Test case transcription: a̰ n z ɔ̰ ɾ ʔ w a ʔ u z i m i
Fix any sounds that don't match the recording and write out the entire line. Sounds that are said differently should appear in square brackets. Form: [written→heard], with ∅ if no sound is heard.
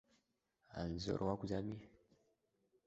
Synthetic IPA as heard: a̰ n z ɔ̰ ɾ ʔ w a [ʔ→k] u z [i→a] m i